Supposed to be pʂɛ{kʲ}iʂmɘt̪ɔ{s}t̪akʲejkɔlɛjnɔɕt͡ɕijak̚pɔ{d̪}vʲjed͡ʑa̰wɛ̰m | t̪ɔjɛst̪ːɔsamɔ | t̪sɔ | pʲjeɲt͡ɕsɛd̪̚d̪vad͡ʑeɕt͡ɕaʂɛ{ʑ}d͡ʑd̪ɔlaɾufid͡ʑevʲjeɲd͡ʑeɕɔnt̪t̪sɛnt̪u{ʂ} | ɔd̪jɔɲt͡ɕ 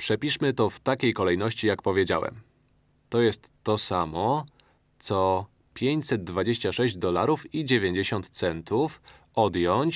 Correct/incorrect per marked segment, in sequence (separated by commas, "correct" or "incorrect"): incorrect, incorrect, incorrect, correct, incorrect